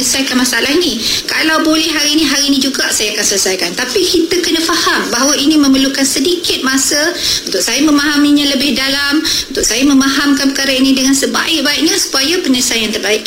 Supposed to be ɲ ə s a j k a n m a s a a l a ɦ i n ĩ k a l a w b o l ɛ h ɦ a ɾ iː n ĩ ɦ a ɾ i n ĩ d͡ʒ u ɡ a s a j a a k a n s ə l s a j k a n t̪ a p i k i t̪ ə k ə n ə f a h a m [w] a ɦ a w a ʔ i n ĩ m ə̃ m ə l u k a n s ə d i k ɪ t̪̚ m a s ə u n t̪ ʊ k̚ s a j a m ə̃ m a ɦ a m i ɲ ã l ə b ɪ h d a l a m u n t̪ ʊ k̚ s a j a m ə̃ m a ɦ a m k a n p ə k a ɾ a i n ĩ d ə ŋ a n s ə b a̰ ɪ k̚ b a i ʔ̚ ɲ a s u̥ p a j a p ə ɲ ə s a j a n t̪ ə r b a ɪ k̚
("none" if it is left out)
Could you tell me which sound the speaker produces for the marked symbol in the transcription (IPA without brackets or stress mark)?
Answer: b